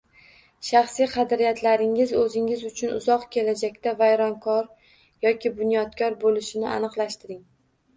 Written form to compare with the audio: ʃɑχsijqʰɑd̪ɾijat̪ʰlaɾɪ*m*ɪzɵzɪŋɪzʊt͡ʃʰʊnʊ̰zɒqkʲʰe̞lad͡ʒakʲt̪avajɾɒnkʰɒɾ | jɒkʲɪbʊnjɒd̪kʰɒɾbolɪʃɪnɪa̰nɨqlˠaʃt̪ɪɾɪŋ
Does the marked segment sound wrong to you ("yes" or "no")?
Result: yes